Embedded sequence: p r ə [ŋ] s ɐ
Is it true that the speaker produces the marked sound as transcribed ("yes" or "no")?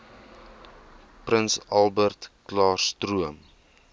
no